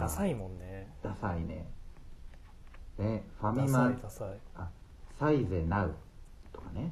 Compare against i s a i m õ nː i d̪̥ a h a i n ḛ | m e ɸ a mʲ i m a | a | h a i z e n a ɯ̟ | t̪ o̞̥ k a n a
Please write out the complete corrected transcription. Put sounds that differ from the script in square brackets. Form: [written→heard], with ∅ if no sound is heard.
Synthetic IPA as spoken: [i→a] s a i m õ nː [i→e] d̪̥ a [h→s] a i n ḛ | [m→n] e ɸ a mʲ i m a | a | [h→s] a i z e n a ɯ̟ | t̪ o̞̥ k a n [a→e]